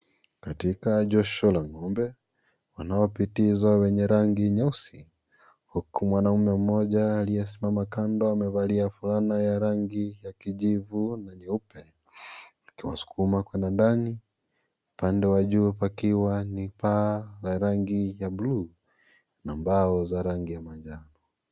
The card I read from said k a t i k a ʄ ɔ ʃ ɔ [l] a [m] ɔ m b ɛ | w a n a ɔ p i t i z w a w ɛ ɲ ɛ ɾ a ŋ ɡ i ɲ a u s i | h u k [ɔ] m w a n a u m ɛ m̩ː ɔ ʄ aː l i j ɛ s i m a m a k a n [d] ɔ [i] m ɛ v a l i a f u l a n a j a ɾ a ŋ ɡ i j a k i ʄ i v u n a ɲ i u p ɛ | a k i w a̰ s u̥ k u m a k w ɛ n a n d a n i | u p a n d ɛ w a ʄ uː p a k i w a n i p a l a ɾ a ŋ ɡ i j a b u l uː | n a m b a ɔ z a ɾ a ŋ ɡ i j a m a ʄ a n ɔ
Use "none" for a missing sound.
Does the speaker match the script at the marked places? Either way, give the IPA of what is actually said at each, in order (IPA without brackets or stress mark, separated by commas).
l, ŋ, u, d, a